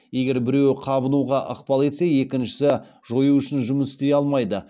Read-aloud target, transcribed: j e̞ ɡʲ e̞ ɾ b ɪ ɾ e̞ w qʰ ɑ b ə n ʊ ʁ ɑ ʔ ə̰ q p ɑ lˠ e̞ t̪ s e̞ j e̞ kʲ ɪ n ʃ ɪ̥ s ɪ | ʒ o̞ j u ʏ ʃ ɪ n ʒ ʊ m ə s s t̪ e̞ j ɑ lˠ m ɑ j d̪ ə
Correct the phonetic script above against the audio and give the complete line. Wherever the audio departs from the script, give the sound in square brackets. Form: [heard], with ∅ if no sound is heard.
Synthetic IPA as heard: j e̞ ɡʲ e̞ ɾ b ɪ ɾ e̞ w qʰ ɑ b ə n [u] ʁ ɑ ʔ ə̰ q p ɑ lˠ e̞ t̪ s e̞ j e̞ kʲ ɪ n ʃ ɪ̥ s ɪ | ʒ o̞ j u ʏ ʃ ɪ n ʒ ʊ m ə s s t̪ e̞ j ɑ lˠ m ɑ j d̪ ə